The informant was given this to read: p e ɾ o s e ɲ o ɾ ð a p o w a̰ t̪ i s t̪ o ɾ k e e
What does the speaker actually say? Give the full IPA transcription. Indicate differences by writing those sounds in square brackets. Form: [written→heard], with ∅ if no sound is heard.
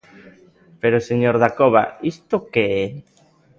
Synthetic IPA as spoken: p e ɾ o s e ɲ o ɾ ð a [p→k] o [w→β] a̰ [t̪→∅] i s t̪ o [ɾ→∅] k e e